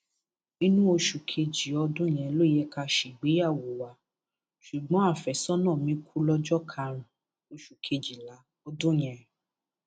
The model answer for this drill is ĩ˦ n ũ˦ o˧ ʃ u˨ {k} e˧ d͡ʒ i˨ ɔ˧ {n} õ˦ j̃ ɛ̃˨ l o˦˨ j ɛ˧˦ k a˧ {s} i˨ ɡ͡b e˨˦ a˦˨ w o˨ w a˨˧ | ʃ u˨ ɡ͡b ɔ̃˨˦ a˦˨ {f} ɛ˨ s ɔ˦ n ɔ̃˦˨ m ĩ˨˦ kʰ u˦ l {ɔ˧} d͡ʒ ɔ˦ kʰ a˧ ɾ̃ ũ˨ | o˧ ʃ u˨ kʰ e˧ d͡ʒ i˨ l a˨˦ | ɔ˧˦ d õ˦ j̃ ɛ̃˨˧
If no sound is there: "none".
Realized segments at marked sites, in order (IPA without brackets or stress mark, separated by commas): kʰ, d, ʃ, f, ɔ˧